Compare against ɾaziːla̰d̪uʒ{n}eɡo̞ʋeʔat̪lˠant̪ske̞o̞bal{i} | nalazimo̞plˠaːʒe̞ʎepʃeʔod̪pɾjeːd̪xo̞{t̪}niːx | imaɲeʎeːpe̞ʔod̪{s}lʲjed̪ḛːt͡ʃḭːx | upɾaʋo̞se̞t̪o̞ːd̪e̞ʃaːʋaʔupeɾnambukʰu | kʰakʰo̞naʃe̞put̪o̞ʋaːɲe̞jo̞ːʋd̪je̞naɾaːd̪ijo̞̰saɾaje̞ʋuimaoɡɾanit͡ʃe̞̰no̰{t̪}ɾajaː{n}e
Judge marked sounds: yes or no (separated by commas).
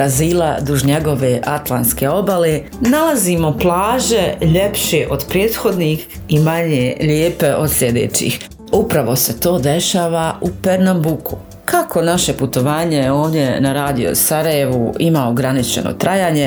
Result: no, no, no, yes, yes, no